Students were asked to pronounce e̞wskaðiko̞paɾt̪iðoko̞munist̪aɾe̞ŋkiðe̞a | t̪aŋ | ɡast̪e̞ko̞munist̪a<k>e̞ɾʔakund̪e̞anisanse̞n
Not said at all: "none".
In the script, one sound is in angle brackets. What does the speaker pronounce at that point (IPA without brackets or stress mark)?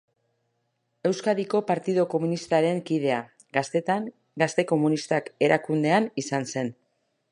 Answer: k